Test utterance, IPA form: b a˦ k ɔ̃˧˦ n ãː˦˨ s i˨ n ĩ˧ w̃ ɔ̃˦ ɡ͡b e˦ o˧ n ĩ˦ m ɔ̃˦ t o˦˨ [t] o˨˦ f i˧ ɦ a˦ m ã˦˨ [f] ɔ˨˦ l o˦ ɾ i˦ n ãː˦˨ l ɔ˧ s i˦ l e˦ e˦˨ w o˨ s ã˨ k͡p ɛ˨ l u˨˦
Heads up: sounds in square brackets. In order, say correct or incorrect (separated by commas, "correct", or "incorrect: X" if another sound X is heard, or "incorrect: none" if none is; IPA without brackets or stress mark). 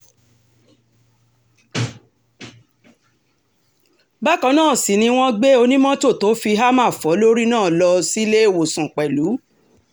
correct, correct